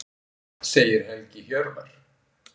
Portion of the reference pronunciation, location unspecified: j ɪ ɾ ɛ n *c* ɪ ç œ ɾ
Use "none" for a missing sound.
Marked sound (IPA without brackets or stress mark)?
c